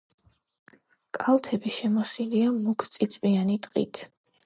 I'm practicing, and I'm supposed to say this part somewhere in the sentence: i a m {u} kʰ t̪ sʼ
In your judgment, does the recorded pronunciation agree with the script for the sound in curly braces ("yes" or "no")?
yes